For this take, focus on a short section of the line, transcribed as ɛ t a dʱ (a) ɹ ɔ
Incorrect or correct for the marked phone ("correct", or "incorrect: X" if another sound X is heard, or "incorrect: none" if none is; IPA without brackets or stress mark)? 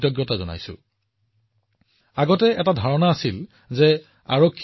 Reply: correct